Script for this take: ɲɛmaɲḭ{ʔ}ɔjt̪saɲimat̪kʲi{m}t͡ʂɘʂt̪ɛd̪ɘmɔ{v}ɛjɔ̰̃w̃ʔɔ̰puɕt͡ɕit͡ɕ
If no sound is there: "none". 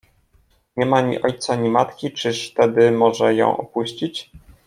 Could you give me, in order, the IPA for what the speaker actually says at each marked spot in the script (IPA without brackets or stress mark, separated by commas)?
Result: ʔ, none, ʐ